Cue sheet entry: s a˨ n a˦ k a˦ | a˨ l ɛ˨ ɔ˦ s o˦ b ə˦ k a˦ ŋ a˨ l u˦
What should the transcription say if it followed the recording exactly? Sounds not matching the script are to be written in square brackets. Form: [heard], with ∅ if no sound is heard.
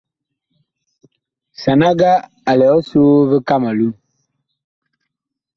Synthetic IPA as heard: s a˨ n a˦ [ɡ] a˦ | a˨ l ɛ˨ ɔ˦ s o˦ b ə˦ k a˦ [m] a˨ l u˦